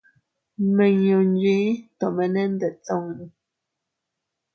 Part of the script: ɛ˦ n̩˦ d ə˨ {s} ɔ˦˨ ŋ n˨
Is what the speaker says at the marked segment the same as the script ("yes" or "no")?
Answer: no